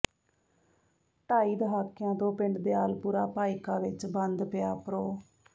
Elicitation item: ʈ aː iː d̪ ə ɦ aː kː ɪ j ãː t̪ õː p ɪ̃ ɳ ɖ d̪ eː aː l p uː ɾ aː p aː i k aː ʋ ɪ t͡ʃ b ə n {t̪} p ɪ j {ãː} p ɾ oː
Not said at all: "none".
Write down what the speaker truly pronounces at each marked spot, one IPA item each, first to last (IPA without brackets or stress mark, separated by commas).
d̪, aː